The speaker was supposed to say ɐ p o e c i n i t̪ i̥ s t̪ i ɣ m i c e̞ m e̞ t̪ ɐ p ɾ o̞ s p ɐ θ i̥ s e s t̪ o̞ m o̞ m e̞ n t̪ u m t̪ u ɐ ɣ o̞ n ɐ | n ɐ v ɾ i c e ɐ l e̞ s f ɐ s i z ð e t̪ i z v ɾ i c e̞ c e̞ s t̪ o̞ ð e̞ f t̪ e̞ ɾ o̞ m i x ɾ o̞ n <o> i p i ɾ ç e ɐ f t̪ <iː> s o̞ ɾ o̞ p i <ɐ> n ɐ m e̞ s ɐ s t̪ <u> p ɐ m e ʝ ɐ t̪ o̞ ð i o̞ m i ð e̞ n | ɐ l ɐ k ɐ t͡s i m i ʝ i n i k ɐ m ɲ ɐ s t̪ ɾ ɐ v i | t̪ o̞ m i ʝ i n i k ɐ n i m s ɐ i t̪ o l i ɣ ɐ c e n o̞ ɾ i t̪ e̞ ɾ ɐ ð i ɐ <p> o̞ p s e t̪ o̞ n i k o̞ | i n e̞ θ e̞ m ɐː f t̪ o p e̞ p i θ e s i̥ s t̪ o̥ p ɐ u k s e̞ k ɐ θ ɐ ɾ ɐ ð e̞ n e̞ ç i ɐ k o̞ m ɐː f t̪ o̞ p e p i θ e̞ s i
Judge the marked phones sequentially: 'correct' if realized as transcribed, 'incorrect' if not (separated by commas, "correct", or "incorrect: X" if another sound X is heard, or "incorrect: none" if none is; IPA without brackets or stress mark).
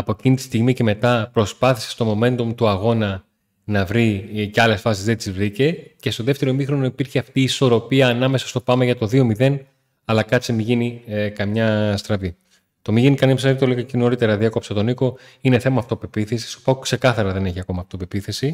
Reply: correct, correct, incorrect: ɐː, incorrect: o, incorrect: k